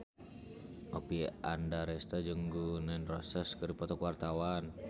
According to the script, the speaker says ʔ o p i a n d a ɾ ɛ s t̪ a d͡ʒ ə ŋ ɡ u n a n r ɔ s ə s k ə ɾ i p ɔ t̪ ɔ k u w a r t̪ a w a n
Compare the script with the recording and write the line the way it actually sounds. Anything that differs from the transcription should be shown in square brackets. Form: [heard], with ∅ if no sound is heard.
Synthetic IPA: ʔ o p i a n d a ɾ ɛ s t̪ a d͡ʒ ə ŋ ɡ u n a n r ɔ s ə s k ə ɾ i p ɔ t̪ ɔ k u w a r t̪ a w a n